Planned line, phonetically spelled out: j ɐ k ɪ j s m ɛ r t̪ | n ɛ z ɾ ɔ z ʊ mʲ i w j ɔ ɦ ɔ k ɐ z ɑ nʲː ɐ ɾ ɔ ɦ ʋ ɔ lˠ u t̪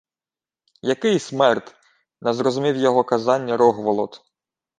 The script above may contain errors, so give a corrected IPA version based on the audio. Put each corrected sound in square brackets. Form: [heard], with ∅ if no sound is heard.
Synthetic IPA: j ɐ k ɪ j s m ɛ r t̪ | n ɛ z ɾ ɔ z ʊ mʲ i w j ɔ ɦ ɔ k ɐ z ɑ nʲː ɐ ɾ ɔ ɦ ʋ ɔ lˠ [ɔ] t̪